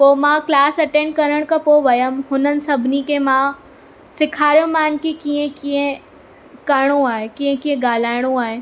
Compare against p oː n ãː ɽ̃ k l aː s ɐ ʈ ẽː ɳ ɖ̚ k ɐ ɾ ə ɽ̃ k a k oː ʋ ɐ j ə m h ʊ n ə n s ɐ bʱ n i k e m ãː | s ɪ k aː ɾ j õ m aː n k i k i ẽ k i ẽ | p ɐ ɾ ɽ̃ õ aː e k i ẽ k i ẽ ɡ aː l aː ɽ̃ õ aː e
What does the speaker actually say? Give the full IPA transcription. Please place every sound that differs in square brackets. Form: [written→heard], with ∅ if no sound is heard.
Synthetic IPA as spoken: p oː [n→m] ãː [ɽ̃→∅] k l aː s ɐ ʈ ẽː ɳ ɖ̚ k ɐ ɾ ə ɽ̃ k a [k→p] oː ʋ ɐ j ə m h ʊ n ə n s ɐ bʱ n i k e m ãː | s ɪ [k→kʰ] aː ɾ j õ m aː n k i k i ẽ k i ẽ | [p→k] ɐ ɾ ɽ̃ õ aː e k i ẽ k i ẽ ɡ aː l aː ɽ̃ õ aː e